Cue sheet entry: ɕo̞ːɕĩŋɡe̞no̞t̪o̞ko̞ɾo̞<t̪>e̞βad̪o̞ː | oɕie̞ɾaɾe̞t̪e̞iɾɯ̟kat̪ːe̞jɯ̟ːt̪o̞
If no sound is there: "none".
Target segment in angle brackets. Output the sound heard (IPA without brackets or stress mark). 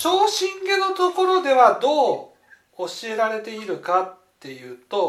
d̪